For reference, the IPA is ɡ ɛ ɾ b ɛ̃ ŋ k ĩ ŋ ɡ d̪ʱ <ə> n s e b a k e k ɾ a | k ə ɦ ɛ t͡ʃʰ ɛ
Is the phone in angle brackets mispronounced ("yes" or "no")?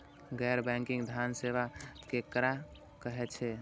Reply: yes